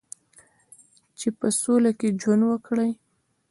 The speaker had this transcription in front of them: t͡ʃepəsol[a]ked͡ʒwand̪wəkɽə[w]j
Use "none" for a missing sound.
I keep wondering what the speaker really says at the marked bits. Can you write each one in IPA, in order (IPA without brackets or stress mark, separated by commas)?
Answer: a, none